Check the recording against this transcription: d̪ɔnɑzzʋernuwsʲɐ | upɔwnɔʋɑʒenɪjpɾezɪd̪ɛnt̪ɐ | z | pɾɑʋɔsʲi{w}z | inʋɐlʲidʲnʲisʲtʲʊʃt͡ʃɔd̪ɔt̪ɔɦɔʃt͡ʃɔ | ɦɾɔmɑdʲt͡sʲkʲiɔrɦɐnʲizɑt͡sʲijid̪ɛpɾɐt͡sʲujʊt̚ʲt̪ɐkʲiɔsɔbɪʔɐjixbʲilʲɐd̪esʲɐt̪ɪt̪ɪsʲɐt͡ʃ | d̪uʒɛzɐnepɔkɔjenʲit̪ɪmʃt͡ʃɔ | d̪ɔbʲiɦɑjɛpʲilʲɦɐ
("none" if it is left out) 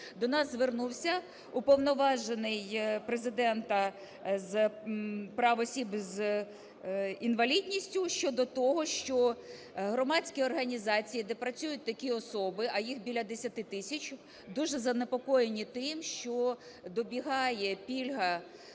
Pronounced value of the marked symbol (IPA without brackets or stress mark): b